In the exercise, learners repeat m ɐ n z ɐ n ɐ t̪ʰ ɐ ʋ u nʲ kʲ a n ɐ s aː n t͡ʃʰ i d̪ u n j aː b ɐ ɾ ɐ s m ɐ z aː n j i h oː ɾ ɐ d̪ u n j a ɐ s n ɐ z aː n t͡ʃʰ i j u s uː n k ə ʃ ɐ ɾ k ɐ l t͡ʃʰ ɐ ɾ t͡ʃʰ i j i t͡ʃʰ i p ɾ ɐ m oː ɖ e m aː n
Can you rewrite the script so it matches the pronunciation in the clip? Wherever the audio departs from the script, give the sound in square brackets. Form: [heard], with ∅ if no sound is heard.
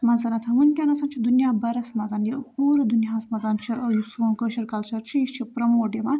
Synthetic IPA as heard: m ɐ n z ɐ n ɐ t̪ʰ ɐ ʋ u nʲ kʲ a n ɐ s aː n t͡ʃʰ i d̪ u n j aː b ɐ ɾ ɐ s m ɐ z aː n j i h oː ɾ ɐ d̪ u n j a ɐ s [m] ɐ z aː n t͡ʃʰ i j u s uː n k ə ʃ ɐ ɾ k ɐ l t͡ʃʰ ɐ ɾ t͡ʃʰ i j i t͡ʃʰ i p ɾ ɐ m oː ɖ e m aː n

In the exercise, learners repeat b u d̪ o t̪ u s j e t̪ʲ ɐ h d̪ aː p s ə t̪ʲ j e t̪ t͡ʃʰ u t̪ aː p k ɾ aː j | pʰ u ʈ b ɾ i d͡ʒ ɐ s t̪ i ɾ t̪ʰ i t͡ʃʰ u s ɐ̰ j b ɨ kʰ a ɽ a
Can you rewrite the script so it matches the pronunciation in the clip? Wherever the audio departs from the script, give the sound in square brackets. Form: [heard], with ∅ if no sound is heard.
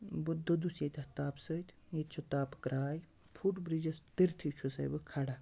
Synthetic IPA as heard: b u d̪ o [d̪] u s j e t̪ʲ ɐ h [t̪] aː p s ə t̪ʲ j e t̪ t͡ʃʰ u t̪ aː p k ɾ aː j | pʰ u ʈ b ɾ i d͡ʒ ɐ s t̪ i ɾ t̪ʰ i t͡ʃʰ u s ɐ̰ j b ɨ kʰ a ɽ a

